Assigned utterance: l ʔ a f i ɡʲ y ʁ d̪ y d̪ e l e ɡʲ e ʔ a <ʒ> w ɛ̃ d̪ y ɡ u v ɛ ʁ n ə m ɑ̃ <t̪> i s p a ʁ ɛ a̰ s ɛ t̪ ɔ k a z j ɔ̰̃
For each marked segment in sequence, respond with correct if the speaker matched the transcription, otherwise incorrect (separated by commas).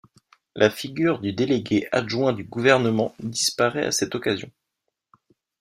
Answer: correct, incorrect